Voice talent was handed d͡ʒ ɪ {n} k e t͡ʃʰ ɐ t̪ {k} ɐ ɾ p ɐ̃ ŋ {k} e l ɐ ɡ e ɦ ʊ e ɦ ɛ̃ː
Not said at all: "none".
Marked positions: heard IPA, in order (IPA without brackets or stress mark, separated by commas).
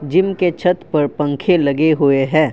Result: m, p, kʰ